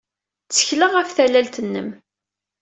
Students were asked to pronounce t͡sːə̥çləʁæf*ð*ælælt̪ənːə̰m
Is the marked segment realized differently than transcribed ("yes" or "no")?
yes